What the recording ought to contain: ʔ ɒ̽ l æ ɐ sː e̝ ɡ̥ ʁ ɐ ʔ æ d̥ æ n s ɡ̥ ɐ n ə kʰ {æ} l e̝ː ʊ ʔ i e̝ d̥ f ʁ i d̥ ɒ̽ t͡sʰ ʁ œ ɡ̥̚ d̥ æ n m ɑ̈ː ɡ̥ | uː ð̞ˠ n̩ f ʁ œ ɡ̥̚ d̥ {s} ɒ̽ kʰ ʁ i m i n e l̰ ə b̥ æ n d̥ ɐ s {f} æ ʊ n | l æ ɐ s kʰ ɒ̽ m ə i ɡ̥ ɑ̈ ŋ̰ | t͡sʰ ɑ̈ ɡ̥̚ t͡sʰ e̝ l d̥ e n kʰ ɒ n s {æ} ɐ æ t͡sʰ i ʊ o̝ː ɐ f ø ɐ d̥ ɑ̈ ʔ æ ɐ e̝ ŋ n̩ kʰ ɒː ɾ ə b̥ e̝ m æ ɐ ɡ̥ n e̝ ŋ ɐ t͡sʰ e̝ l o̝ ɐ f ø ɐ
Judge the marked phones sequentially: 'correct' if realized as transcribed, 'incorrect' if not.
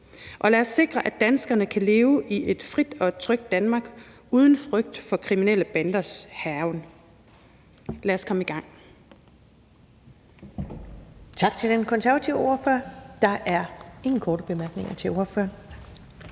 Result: correct, incorrect, incorrect, correct

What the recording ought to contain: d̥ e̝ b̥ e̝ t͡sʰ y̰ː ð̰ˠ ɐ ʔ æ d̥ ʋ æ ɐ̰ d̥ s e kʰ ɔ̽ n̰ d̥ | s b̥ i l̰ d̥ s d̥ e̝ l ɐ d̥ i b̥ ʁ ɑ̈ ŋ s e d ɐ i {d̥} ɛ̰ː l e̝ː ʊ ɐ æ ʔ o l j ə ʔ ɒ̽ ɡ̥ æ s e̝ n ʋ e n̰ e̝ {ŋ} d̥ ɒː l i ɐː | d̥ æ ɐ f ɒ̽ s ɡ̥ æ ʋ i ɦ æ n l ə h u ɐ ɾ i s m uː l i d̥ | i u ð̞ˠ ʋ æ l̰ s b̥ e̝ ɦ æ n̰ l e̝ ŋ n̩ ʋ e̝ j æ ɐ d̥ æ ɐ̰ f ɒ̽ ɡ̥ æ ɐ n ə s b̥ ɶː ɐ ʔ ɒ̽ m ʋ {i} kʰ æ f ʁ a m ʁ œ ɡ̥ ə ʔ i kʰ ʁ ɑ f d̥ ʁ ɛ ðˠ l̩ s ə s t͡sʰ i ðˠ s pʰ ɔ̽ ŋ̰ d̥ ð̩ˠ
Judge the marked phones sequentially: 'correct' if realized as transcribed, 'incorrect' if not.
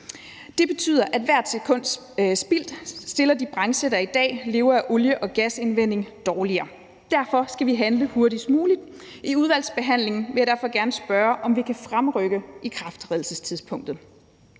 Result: correct, correct, correct

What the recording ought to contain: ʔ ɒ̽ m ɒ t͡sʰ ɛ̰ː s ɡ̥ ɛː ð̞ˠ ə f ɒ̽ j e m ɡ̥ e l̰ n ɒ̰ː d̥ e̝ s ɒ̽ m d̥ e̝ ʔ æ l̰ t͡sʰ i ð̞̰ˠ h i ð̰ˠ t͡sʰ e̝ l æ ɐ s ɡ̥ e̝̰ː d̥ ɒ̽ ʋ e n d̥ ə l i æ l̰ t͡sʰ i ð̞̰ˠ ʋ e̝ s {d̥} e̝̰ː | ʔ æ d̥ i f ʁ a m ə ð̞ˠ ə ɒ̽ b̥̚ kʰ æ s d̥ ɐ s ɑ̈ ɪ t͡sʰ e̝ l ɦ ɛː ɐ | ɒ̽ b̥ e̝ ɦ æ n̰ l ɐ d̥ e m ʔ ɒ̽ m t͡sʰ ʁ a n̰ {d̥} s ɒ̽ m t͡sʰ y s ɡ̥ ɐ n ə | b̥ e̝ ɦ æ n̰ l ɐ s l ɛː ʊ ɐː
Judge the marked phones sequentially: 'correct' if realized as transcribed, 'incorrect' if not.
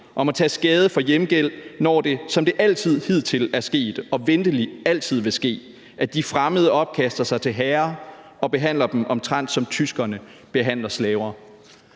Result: incorrect, correct

